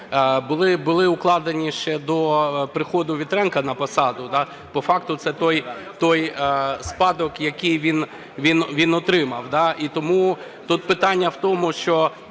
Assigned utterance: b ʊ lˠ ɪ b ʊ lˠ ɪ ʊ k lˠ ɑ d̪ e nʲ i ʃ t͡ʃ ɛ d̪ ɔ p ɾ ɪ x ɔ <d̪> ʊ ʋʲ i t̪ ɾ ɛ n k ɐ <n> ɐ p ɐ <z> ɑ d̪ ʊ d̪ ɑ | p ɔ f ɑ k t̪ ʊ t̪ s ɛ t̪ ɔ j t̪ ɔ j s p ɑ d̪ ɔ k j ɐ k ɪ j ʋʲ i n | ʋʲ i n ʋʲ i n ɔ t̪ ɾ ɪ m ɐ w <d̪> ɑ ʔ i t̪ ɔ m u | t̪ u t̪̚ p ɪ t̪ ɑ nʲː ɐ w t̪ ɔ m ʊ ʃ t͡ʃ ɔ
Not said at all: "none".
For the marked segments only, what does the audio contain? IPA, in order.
d̪, n, s, d̪

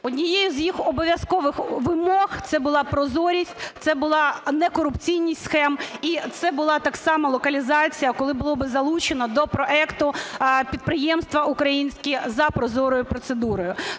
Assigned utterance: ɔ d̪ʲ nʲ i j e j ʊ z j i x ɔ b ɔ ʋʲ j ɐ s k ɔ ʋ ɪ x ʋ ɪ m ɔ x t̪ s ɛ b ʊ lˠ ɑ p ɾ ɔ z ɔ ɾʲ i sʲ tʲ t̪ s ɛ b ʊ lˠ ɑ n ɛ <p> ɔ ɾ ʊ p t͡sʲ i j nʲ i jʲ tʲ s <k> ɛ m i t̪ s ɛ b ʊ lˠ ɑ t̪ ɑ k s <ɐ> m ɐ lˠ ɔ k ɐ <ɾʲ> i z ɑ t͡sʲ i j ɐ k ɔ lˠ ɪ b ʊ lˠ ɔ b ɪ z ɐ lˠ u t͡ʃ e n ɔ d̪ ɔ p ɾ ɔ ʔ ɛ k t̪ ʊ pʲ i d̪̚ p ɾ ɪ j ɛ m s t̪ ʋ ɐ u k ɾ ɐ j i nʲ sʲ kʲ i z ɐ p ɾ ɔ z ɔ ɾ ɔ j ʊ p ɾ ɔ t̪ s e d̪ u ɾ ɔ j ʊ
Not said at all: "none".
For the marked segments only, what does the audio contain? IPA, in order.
k, x, ɑ, lʲ

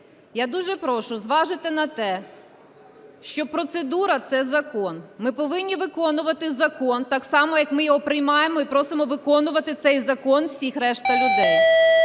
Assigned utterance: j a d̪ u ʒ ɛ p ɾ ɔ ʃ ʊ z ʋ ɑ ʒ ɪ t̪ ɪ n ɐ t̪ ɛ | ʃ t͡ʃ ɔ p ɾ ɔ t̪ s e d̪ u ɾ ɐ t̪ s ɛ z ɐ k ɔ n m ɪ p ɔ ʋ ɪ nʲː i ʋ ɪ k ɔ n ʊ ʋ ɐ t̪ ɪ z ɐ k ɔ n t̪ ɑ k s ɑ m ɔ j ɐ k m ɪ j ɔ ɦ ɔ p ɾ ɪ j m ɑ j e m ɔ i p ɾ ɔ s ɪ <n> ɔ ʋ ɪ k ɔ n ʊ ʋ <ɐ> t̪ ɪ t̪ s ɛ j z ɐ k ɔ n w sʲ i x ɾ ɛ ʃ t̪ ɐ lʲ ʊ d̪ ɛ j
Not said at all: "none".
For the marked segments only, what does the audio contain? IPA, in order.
m, ɐ

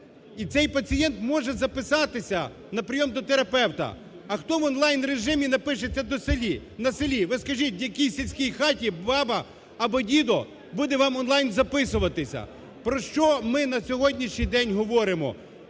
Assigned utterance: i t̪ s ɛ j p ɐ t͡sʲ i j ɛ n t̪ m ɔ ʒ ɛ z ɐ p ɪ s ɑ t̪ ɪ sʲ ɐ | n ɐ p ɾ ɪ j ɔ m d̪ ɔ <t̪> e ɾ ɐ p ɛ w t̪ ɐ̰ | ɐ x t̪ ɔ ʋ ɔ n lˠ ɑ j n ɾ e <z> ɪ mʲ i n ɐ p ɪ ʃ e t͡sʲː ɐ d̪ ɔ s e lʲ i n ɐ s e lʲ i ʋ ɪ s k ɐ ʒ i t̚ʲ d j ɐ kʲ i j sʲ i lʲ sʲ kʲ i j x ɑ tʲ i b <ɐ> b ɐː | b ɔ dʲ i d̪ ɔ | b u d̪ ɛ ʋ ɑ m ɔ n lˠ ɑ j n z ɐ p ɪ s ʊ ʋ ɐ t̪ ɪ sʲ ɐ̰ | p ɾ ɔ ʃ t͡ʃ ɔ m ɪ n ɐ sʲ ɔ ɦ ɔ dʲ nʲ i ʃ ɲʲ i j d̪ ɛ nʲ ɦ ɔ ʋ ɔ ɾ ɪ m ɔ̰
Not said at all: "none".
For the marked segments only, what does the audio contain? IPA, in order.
t̪, ʒ, ɑ

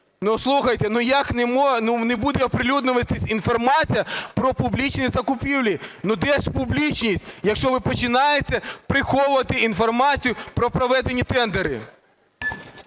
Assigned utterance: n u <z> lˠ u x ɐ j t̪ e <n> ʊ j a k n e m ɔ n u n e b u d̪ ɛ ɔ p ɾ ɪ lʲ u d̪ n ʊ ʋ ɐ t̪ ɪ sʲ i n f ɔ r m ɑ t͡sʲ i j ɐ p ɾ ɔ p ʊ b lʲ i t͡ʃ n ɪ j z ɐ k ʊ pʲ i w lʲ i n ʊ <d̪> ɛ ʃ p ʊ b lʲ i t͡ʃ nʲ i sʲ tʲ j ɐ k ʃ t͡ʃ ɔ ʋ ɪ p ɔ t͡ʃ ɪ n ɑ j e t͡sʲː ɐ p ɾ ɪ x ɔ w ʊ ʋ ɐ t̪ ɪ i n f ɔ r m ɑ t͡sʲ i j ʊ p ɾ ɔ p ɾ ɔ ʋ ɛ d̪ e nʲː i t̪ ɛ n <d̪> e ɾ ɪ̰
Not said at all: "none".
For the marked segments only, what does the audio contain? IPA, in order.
s, n, d̪, d̪

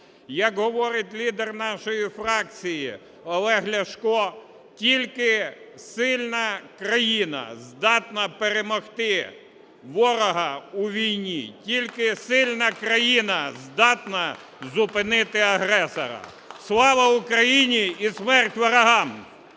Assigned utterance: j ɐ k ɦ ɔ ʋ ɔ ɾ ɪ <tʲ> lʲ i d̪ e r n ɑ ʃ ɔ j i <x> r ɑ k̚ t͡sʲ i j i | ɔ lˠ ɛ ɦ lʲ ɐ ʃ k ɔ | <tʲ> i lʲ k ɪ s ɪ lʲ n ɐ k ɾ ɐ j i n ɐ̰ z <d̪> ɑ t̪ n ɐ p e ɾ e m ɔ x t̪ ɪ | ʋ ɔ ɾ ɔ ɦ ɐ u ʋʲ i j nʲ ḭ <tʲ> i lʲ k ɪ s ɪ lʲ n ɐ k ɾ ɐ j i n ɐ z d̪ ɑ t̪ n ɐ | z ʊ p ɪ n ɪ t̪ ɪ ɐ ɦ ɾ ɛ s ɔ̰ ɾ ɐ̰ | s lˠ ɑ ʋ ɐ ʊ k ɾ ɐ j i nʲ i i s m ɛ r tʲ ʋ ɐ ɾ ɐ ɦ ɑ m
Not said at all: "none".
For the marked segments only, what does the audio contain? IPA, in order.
tʲ, f, tʲ, d̪, tʲ

